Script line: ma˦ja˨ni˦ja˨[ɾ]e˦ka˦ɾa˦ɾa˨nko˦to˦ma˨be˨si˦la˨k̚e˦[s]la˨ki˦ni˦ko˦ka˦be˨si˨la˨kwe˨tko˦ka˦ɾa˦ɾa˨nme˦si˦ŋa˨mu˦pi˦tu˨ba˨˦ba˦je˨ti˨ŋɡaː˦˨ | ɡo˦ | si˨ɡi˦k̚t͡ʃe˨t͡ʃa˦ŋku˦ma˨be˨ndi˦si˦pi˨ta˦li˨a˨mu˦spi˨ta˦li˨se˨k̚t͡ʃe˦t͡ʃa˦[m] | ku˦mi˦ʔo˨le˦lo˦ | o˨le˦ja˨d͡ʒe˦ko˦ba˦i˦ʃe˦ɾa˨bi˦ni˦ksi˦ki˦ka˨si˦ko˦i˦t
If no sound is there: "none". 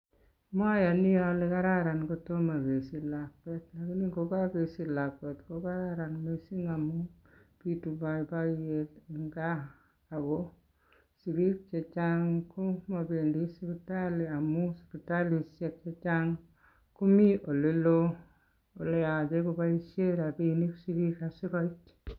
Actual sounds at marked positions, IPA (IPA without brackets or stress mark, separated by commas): l, t, ŋ